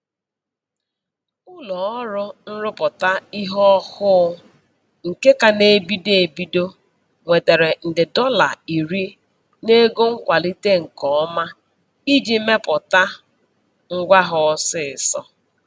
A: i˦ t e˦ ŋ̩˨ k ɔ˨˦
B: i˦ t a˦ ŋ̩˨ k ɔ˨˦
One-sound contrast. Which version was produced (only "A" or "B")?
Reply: A